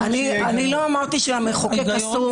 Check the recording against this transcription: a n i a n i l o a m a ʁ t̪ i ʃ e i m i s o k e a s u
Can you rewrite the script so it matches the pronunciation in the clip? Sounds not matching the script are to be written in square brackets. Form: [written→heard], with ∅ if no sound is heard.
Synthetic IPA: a n i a n i l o a m a ʁ t̪ i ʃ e [i→a] m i [s→χ] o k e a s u